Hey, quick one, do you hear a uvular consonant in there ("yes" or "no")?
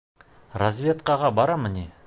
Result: yes